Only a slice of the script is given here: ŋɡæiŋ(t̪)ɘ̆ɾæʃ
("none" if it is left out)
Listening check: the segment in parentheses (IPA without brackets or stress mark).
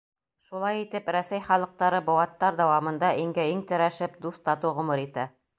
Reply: t̪